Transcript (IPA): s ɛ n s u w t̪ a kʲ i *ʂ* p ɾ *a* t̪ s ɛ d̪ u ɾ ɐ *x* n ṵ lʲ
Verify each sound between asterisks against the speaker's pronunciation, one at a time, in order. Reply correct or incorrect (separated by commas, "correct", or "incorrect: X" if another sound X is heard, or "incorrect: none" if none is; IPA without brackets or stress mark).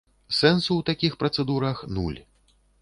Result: incorrect: x, incorrect: ɐ, correct